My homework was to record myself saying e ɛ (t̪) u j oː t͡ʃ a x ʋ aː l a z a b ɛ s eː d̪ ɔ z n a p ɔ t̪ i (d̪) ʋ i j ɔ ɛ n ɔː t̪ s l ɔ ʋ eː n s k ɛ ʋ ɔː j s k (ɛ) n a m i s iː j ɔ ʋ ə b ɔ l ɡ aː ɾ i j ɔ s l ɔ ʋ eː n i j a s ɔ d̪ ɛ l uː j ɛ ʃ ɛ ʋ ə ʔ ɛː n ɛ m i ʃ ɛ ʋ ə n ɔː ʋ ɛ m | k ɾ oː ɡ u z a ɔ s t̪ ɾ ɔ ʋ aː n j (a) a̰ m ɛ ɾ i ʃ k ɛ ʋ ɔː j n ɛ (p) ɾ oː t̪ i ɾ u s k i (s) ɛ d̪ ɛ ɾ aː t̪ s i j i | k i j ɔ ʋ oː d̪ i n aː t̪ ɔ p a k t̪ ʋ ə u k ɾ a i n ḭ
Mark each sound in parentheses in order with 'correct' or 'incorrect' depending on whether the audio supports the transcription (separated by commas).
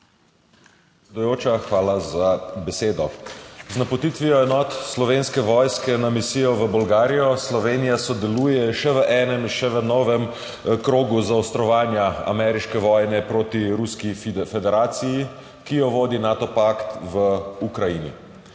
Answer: incorrect, incorrect, correct, correct, correct, incorrect